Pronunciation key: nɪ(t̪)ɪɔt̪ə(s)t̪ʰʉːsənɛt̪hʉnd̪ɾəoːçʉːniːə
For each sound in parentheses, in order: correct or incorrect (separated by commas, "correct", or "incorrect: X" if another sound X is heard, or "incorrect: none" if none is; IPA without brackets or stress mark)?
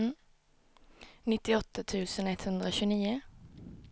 correct, incorrect: none